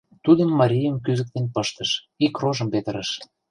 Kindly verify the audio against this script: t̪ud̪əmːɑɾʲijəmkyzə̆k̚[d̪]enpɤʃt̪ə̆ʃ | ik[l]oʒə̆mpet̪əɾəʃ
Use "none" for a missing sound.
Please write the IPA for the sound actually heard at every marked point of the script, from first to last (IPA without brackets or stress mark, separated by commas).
t̪, r